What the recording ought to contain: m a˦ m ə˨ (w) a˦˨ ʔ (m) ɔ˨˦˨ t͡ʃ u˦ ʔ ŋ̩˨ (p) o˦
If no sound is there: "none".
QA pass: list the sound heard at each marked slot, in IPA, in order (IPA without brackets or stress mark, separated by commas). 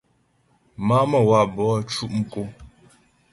w, b, k